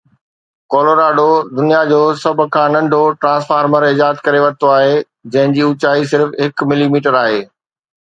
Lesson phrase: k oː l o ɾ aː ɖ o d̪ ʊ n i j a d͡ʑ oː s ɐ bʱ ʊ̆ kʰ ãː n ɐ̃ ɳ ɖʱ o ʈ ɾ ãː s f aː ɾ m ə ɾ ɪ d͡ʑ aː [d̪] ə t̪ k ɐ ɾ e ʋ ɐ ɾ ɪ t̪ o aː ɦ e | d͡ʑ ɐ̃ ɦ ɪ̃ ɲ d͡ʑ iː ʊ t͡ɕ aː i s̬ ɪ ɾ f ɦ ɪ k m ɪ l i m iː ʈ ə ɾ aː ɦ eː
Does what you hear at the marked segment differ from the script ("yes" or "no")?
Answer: yes